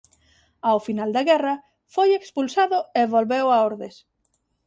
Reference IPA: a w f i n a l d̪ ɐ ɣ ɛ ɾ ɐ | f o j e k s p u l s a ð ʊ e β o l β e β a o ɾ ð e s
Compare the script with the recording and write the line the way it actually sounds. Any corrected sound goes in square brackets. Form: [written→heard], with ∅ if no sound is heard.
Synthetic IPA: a w f i n a l d̪ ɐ ɣ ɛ [ɾ→r] ɐ | f o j e k s p u l s a ð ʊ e β o l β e [β→w] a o ɾ ð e s

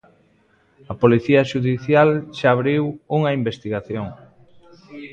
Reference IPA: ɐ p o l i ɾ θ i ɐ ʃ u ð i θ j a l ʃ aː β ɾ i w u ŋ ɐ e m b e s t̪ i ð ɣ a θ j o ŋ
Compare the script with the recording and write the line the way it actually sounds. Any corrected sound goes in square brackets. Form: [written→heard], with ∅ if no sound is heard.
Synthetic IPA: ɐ p o l i [ɾ→∅] θ i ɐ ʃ u ð i θ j a l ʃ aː β ɾ i w u ŋ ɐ [e→i] m b e s t̪ i [ð→∅] ɣ a θ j o ŋ

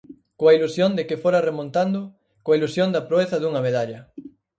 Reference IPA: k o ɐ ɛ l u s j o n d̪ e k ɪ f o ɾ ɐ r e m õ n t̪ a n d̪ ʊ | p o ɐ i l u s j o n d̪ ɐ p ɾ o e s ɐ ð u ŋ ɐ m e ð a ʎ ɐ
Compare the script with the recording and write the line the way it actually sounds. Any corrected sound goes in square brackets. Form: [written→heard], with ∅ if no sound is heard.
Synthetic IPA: k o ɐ [ɛ→i] l u s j o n d̪ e k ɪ f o ɾ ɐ r e m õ n t̪ a n d̪ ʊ | [p→k] o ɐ i l u s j o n d̪ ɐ p ɾ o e [s→θ] ɐ ð u ŋ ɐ m e ð a ʎ ɐ

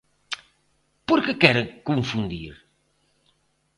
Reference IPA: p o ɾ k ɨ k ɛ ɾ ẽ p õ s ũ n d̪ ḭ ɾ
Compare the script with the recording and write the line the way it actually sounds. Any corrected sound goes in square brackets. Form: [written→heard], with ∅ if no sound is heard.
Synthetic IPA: p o ɾ k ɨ k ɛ ɾ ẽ [p→k] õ [s→f] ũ n d̪ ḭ ɾ

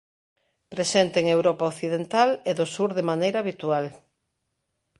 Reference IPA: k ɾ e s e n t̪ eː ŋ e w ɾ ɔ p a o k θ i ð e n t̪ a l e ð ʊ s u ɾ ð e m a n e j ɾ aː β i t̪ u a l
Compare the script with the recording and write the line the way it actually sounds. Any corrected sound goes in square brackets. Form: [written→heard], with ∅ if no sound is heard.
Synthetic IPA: [k→p] ɾ e s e n t̪ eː ŋ e w ɾ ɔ p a o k θ i ð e n t̪ a l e ð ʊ s u ɾ ð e m a n e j ɾ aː β i t̪ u a l

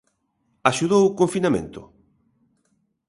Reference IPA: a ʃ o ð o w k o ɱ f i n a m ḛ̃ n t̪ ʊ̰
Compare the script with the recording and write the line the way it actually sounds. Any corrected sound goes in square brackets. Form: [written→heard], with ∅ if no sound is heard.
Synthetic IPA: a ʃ [o→u] ð o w k o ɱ f i n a m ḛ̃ n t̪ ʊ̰

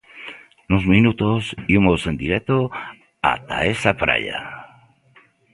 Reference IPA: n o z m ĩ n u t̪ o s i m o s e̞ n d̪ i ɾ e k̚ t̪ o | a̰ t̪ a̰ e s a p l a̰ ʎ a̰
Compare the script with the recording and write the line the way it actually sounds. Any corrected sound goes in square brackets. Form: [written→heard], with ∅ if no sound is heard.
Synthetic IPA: n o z m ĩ n u t̪ o s i m o s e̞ n d̪ i ɾ e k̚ t̪ o | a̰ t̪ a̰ e s a p [l→ɾ] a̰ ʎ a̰

